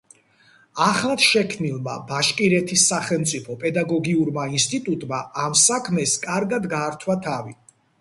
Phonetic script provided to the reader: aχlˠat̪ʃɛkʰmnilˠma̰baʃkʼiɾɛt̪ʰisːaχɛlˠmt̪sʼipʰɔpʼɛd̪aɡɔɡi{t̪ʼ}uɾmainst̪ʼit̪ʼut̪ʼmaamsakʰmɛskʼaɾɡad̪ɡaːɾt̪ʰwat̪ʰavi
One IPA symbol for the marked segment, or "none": none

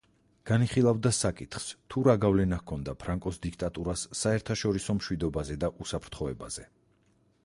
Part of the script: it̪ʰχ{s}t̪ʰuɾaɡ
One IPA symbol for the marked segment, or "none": s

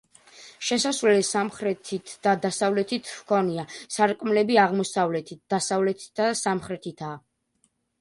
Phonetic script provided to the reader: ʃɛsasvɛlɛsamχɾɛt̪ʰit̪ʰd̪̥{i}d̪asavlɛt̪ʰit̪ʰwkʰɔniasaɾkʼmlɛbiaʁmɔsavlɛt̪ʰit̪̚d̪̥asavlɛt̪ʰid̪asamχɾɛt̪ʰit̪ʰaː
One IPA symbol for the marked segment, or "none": a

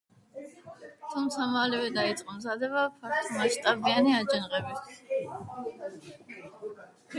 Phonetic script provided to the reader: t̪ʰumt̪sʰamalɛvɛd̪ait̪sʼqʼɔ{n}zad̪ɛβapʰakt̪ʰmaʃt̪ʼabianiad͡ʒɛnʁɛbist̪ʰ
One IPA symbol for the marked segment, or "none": m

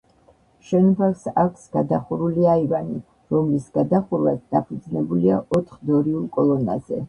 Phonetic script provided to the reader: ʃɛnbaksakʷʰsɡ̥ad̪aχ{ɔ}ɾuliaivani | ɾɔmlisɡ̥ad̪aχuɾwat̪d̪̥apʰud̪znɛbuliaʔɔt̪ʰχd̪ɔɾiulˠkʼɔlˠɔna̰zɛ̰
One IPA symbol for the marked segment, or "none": u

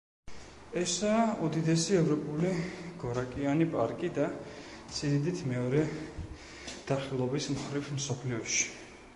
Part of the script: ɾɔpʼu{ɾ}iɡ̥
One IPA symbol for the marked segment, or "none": l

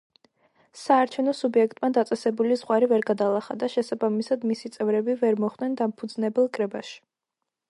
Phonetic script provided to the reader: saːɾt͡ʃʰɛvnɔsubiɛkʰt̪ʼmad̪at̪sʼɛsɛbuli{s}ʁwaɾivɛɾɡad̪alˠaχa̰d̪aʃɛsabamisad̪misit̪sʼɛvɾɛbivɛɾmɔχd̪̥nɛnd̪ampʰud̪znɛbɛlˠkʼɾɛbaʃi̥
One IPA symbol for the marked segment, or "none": z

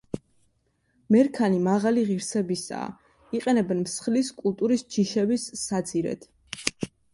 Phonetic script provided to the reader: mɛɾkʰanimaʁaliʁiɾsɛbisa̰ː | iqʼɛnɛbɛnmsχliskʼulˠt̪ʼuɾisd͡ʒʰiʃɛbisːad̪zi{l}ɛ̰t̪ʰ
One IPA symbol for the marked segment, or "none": ɾ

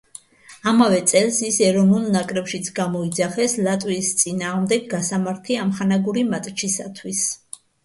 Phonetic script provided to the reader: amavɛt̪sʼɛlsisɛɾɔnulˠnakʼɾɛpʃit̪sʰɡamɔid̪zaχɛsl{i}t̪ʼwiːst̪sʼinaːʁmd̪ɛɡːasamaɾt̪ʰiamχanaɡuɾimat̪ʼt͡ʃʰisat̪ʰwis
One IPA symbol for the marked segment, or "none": a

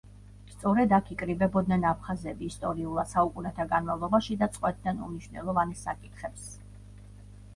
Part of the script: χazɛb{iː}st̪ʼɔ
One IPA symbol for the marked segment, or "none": iː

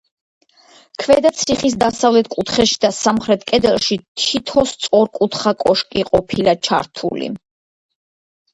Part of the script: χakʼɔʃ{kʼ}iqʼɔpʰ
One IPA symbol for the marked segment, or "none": kʼ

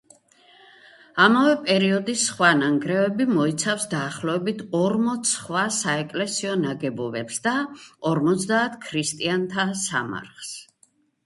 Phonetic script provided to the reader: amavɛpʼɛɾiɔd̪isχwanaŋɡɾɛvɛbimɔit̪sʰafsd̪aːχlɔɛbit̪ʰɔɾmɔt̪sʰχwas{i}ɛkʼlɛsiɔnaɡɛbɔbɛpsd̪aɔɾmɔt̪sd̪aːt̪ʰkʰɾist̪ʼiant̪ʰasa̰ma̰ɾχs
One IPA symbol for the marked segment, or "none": a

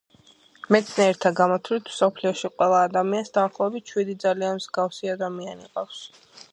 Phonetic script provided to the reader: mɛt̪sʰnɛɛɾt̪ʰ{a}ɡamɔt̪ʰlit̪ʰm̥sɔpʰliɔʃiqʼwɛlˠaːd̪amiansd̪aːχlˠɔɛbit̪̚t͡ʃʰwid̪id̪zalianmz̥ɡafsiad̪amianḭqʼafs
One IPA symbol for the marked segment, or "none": a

